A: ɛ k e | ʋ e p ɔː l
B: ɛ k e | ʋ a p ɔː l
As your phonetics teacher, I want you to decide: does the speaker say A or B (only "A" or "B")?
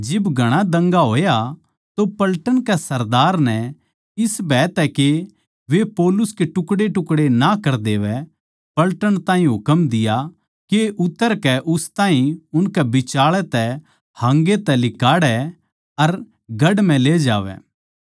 A